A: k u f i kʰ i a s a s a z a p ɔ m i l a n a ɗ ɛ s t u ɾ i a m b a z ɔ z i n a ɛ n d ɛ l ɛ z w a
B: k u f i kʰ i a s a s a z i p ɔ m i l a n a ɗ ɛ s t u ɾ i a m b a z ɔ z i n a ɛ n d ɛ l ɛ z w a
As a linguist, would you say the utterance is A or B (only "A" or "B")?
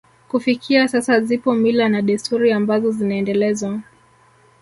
B